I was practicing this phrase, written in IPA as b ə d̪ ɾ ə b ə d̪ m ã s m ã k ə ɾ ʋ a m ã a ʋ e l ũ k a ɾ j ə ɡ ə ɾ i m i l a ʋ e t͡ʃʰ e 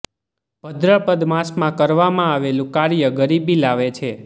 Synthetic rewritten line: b ə d̪ ɾ ə p ə d̪ m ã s m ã k ə ɾ ʋ a m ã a ʋ e l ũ k a ɾ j ə ɡ ə ɾ i b i l a ʋ e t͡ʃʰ e